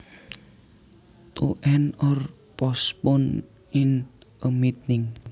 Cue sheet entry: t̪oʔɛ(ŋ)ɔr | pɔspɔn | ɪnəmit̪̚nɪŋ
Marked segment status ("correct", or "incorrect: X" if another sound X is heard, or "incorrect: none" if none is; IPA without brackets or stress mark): incorrect: n